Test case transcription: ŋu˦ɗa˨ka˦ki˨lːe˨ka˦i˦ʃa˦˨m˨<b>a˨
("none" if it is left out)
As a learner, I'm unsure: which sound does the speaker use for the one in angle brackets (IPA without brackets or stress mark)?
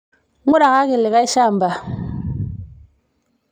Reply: b